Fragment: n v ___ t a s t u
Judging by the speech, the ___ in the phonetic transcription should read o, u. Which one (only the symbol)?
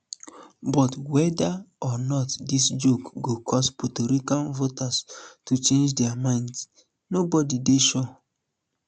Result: o